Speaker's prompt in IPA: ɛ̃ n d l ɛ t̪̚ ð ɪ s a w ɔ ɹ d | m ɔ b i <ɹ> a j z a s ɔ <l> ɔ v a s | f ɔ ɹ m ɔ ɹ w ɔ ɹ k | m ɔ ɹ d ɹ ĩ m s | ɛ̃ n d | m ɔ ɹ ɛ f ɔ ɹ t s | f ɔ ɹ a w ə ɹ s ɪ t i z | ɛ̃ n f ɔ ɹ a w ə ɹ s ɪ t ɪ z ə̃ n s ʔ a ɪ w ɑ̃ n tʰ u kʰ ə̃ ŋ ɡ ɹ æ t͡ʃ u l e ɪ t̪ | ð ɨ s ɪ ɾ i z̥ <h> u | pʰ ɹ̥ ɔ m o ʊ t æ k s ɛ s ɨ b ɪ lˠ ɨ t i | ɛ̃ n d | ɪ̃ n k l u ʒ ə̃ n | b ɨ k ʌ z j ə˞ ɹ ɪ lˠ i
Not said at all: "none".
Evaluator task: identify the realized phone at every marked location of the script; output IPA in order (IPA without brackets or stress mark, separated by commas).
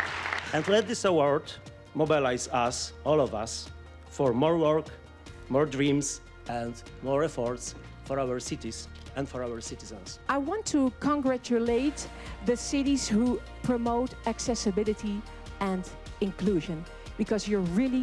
l, l, h